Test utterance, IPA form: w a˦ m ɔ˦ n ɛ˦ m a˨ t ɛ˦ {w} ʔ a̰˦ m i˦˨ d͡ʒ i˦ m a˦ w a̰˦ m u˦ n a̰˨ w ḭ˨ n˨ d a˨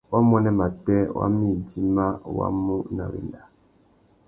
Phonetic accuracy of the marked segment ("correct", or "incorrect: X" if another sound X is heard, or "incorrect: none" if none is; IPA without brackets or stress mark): correct